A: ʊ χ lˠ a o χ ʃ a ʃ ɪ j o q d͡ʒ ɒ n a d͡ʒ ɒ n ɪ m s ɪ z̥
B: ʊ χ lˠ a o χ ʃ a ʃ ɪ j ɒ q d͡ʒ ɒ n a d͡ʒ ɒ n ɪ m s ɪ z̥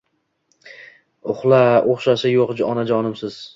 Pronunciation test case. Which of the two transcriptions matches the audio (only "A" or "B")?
A